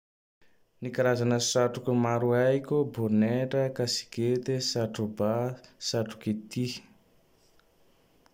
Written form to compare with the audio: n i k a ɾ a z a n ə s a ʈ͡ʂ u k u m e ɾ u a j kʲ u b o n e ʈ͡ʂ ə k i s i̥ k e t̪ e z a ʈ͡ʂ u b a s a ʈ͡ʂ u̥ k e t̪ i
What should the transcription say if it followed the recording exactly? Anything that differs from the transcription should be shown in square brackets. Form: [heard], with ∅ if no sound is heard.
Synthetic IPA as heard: n i k a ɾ a z a n ə s a ʈ͡ʂ u k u m [a] ɾ u a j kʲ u b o n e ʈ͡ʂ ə k [a] s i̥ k e t̪ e [s] a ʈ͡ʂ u b a s a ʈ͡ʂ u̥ k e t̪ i

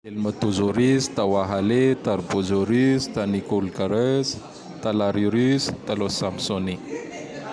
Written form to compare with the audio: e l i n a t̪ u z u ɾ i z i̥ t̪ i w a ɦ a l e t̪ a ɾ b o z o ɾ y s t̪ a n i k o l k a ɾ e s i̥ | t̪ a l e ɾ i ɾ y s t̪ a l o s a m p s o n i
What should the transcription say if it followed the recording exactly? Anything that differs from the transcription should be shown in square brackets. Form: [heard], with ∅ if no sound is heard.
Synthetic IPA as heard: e l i [m] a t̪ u z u ɾ i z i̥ t̪ [a] w a ɦ a l e t̪ a ɾ b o z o ɾ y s t̪ a n i k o l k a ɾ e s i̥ | t̪ a l [a] ɾ i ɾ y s t̪ a l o s a m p s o n i

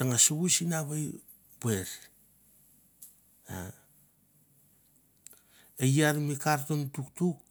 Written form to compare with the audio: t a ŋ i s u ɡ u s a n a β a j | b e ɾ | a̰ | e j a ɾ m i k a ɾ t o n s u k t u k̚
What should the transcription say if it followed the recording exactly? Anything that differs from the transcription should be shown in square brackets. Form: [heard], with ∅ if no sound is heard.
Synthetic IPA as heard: t a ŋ [a] s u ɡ u s [i] n a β a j | b e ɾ | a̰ | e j a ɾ m i k a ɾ t o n [t] u k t u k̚

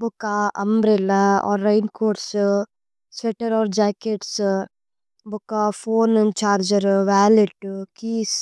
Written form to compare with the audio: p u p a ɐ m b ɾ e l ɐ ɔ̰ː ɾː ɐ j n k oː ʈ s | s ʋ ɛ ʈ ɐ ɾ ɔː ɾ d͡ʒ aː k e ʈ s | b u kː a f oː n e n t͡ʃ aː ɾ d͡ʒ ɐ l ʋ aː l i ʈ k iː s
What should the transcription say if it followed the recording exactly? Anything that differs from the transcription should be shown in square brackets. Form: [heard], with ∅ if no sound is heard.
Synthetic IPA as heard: [b] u [k] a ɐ m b ɾ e l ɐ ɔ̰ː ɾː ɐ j n k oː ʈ s | s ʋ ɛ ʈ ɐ ɾ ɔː ɾ d͡ʒ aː k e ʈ s | b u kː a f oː n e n t͡ʃ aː ɾ d͡ʒ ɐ [ɾ] ʋ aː l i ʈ k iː s

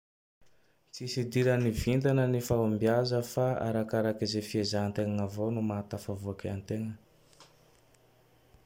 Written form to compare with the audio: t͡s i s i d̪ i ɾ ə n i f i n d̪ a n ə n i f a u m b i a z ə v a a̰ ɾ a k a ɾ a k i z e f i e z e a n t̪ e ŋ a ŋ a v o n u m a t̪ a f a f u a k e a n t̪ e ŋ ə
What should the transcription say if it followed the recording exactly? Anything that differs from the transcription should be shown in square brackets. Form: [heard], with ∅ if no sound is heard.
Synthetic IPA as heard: t͡s i s i d̪ i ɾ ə n i [v] i n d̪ a n ə n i f a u m b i a z ə [f] a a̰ ɾ a k a ɾ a k i z e f i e z [a] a n t̪ e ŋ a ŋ a v o n u m a t̪ a f a [v] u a k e a n t̪ e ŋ ə

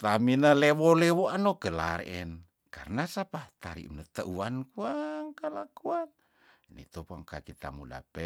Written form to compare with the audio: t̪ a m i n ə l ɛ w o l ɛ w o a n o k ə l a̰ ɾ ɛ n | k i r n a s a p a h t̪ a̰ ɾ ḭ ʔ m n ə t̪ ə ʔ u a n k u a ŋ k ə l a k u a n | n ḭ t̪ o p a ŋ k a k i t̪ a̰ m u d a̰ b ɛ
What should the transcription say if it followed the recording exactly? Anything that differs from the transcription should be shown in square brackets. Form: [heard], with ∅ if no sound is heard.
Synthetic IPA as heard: t̪ a m i n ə l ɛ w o l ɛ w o a n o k ə l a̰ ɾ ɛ n | k [a] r n a s a p a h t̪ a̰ ɾ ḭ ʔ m n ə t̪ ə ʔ u a n k u a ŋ k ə l a k u a n | n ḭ t̪ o p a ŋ k a k i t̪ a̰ m u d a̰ [p] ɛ

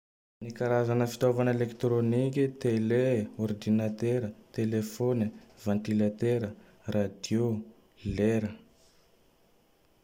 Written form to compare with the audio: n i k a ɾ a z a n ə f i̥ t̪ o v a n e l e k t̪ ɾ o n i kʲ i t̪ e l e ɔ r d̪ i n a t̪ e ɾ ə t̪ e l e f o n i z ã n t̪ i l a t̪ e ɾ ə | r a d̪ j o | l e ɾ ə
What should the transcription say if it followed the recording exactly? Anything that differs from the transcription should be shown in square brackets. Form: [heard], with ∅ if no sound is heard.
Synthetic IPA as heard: n i k a ɾ a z a n ə f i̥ t̪ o v a n e l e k t̪ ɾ o n i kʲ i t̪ e l e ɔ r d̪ i n a t̪ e ɾ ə t̪ e l e f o n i [v] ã n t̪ i l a t̪ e ɾ ə | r a d̪ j o | l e ɾ ə

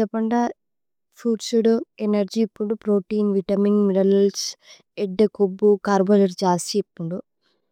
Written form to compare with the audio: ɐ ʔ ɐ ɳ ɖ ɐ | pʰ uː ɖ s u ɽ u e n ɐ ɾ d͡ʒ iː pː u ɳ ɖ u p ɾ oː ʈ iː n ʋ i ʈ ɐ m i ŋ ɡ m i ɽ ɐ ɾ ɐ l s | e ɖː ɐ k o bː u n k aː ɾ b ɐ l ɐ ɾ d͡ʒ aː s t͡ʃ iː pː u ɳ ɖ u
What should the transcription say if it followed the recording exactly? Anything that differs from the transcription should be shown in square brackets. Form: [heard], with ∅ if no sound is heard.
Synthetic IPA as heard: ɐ [p] ɐ ɳ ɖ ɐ | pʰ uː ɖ s u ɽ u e n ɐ ɾ d͡ʒ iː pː u ɳ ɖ u p ɾ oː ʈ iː n ʋ i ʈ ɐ m i ŋ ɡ m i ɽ ɐ [l] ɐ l s | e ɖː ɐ k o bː u [∅] k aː ɾ b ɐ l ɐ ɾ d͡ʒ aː s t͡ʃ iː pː u ɳ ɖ u

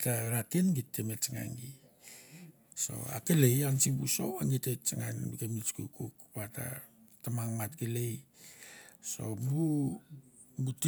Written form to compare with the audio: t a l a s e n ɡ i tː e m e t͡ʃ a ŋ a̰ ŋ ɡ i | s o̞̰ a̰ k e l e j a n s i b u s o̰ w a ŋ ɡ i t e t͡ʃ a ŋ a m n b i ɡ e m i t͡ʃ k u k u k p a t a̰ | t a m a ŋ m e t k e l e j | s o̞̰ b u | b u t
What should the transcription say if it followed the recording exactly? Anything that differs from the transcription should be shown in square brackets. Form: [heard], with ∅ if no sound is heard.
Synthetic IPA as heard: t a [ɾ] a [t] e n ɡ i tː e m e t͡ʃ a ŋ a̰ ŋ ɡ i | s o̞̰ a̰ k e l e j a n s i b u s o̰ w a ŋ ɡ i t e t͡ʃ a ŋ a [∅] n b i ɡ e m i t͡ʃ k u k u k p a t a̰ | t a m a ŋ m [a] t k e l e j | s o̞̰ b u | b u t

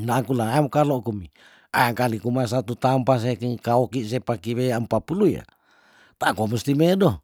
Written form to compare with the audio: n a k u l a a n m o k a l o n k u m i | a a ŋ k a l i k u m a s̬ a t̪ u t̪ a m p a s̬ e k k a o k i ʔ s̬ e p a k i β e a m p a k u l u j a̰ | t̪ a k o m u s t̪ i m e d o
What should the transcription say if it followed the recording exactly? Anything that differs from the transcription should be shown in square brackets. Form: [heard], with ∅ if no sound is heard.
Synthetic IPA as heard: n a k u l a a [∅] m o k a l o [∅] k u m i | a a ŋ k a l i k u m a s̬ a t̪ u t̪ a m p a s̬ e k k a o k i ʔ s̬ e p a k i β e a m p a [p] u l u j a̰ | t̪ a k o m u s t̪ i m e d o

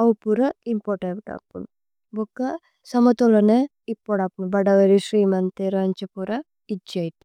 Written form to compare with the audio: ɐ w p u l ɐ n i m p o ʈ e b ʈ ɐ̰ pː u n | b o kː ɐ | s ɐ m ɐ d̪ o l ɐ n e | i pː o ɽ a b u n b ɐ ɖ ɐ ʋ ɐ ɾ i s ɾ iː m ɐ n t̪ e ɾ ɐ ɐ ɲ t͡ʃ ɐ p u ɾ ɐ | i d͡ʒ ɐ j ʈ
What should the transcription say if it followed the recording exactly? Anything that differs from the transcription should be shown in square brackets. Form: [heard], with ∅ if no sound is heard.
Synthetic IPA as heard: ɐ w p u [ɾ] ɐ [∅] i m p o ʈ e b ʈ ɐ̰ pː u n | b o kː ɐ | s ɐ m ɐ [t̪] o l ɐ n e | i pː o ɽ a [p] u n b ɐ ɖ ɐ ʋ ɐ ɾ i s ɾ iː m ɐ n t̪ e ɾ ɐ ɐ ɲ t͡ʃ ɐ p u ɾ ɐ | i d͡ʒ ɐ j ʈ

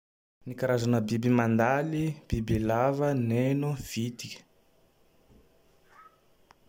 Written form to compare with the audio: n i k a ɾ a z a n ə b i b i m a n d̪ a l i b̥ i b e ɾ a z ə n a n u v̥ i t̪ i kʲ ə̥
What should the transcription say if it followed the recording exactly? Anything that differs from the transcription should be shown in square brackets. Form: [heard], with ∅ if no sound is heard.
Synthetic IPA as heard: n i k a ɾ a z a n ə b i b i m a n d̪ a l i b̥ i b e [l] a [v] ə n [e] n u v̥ i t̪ i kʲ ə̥

